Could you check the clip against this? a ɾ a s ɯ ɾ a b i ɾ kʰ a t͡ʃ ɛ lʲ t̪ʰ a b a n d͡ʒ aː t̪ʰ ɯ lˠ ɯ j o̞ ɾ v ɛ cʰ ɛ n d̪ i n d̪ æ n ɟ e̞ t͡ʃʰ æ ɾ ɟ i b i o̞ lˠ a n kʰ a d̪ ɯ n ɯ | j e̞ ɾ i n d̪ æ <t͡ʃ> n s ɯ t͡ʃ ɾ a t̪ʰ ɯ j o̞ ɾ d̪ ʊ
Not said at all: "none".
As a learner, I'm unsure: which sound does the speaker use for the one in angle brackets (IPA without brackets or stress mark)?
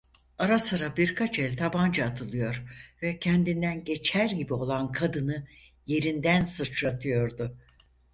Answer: none